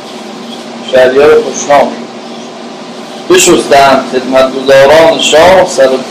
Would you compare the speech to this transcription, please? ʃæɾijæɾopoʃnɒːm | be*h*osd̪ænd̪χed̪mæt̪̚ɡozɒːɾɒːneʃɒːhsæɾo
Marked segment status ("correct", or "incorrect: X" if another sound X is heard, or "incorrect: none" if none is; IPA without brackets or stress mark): incorrect: ʃ